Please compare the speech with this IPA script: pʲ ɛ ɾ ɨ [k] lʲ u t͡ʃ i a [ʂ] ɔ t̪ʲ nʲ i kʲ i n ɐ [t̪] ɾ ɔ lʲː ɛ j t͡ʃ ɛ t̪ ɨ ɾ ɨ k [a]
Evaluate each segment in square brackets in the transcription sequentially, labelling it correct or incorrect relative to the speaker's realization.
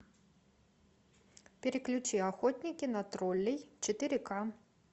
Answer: correct, incorrect: x, correct, correct

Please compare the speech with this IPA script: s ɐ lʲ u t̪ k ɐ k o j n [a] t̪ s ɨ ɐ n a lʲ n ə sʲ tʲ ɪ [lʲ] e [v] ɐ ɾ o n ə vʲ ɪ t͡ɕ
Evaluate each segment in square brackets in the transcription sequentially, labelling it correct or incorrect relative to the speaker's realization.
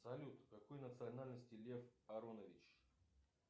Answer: incorrect: ə, correct, incorrect: f

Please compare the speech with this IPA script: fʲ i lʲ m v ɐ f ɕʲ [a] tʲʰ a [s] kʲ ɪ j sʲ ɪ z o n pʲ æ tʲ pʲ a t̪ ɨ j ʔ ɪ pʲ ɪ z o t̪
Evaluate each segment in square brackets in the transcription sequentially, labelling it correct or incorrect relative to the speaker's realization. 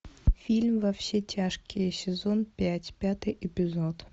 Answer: incorrect: e, incorrect: ʂ

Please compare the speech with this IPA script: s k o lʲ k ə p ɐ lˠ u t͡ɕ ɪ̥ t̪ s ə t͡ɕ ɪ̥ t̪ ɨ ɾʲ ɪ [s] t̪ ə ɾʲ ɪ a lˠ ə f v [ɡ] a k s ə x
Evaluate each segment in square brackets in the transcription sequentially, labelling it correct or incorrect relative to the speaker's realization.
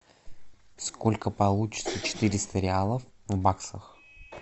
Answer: correct, incorrect: b

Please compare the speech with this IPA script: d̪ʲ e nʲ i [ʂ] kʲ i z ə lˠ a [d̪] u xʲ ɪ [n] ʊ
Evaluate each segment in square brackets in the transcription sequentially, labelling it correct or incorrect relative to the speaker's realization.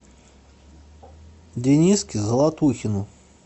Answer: incorrect: s, incorrect: t̪, correct

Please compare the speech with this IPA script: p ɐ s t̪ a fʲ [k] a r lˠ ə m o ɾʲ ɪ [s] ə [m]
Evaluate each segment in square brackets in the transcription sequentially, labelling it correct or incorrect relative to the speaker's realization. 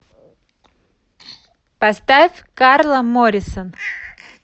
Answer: correct, correct, incorrect: n

